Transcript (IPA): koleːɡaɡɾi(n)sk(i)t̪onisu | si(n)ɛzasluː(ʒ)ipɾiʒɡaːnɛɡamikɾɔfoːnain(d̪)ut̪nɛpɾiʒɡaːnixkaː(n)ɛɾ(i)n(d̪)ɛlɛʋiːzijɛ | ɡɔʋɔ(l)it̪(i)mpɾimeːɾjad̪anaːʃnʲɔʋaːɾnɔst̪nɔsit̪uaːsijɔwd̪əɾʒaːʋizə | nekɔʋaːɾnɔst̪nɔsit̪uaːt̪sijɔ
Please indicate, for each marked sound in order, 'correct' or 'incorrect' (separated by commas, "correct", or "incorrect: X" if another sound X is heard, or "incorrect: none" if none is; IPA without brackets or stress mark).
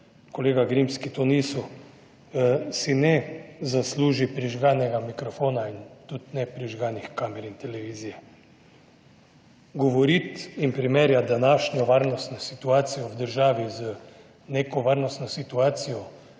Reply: incorrect: m, correct, correct, correct, incorrect: t̪, incorrect: m, correct, incorrect: t̪, incorrect: ɾ, correct